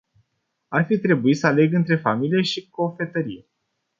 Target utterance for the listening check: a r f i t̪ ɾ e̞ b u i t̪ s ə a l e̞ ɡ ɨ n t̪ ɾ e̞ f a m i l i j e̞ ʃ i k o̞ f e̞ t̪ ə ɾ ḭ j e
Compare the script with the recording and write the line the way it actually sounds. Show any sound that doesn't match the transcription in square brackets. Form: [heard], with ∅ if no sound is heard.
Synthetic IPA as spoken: a r f i t̪ ɾ e̞ b u i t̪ s ə a l e̞ ɡ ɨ n t̪ ɾ e̞ f a m i l i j e̞ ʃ i k o̞ f e̞ t̪ ə ɾ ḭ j e